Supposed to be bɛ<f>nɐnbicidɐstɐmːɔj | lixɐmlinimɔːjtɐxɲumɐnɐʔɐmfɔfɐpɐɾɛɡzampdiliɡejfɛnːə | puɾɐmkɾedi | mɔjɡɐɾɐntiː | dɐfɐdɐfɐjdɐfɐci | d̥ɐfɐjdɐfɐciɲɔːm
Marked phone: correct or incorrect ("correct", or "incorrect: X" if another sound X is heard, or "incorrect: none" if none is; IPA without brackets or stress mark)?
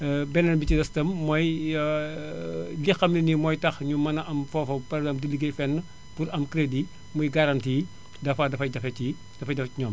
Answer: incorrect: none